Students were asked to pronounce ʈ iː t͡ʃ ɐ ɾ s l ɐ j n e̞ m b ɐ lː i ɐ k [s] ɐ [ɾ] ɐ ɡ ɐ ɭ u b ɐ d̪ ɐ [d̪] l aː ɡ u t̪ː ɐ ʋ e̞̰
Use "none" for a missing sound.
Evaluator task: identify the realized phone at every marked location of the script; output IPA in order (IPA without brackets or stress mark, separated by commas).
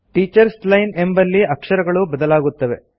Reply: ʂ, ɾ, none